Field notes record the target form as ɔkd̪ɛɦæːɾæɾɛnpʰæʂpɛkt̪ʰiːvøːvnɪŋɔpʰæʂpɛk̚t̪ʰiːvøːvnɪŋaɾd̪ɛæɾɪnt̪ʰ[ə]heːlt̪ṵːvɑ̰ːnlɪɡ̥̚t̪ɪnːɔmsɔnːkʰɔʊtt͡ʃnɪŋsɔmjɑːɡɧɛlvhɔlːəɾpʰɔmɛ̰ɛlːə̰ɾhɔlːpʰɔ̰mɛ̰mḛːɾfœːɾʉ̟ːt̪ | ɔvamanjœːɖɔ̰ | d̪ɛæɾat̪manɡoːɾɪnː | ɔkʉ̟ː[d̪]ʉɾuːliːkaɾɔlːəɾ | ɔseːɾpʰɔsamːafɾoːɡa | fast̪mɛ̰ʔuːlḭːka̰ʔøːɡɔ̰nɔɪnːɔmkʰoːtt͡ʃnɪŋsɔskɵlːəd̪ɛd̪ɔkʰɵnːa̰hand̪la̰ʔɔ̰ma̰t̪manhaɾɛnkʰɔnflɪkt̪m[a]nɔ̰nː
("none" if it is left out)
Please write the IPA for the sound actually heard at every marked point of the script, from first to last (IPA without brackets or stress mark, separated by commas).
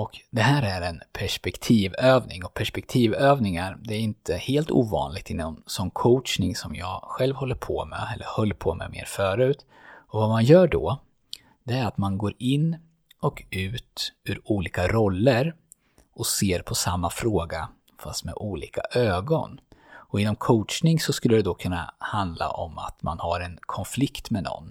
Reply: ə, t̪, ɛ